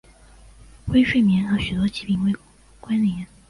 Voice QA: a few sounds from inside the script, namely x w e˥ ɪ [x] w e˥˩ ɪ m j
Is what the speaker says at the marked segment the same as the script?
no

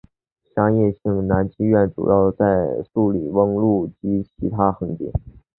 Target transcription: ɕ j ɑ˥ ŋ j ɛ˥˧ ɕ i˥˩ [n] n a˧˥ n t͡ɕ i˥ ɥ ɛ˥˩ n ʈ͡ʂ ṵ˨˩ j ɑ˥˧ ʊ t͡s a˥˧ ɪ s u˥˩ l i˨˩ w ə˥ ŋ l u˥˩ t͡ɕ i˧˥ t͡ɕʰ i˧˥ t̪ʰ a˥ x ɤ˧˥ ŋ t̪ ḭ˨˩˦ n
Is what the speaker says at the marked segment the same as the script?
no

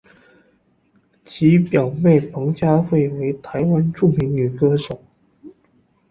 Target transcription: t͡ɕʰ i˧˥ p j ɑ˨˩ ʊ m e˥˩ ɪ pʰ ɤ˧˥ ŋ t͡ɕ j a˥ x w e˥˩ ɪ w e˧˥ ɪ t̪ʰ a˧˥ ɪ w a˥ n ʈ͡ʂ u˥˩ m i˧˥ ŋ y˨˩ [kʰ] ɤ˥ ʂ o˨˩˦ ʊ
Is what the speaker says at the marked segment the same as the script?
no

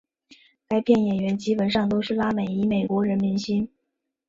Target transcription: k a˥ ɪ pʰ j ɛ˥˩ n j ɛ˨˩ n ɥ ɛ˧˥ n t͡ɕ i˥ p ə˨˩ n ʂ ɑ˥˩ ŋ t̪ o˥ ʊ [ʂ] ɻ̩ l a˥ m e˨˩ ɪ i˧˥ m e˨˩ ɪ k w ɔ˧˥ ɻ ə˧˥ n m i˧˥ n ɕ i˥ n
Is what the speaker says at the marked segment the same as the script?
yes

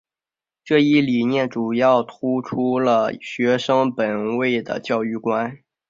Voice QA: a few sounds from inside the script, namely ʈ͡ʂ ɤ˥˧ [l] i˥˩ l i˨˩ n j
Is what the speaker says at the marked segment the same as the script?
no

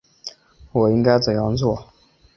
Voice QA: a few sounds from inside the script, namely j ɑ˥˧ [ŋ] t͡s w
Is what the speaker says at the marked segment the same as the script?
yes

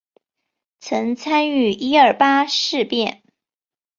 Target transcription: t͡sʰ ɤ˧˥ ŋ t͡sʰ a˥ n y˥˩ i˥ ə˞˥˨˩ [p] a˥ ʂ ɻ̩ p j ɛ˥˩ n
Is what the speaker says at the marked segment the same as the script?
yes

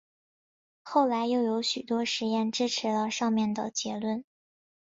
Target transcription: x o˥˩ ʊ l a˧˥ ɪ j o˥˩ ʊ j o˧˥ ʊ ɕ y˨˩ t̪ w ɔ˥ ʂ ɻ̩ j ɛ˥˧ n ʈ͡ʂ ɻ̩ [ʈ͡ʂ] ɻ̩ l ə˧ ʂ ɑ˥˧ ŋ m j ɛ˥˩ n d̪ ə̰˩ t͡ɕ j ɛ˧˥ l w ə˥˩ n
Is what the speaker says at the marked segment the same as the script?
no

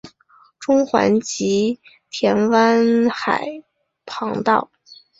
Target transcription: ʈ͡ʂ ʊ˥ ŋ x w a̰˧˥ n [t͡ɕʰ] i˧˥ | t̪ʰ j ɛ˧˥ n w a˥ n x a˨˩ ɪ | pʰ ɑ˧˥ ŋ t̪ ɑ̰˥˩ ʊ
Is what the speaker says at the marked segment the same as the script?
no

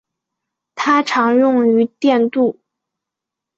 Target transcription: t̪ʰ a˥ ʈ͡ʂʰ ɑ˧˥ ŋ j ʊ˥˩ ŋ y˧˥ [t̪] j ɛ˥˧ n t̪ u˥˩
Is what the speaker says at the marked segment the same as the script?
yes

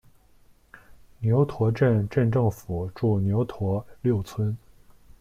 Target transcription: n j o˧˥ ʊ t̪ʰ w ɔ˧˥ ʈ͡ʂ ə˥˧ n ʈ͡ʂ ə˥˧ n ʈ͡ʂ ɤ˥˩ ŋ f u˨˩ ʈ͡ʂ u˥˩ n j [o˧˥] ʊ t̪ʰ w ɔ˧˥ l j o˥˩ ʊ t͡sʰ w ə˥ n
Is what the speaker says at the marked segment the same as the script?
yes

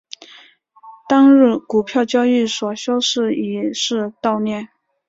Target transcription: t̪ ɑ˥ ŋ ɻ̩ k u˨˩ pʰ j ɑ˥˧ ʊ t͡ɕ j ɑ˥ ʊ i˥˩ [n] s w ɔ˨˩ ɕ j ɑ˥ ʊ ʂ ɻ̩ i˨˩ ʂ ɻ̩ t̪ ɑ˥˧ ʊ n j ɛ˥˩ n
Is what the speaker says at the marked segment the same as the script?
no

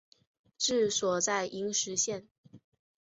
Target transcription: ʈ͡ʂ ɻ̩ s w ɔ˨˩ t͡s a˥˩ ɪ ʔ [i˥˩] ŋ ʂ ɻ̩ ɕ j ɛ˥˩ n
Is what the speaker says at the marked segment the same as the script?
no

